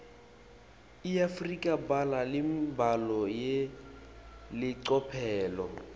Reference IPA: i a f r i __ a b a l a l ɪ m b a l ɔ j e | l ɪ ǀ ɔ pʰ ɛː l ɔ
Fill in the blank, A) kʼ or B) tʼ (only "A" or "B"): A